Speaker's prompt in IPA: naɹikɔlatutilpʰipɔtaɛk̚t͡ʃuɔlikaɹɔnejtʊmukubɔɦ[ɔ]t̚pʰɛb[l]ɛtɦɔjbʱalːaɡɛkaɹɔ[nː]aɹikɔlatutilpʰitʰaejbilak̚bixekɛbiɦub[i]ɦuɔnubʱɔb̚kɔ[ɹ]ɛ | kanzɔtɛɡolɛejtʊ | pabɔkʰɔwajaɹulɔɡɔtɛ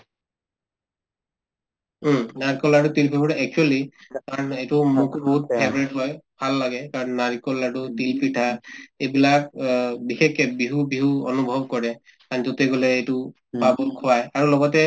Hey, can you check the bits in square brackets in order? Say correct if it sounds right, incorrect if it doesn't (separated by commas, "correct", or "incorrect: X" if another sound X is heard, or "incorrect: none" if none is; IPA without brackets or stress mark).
incorrect: u, incorrect: ɹ, correct, correct, correct